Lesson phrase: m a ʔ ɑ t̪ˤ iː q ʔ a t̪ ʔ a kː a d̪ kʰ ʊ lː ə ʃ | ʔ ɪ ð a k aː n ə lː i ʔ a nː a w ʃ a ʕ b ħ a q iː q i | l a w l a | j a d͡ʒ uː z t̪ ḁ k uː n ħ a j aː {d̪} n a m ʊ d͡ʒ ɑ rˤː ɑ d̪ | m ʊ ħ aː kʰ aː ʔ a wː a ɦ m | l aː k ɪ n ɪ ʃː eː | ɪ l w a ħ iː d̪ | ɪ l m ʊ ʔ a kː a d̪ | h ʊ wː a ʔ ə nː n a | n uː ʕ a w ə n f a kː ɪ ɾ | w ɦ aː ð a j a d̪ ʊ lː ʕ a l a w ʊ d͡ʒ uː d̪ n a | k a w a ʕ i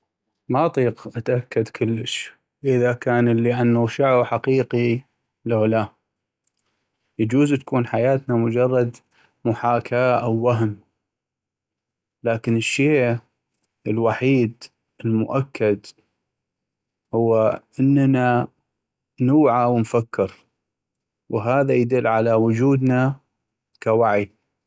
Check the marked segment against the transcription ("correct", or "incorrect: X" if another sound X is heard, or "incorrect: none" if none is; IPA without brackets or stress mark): incorrect: t̪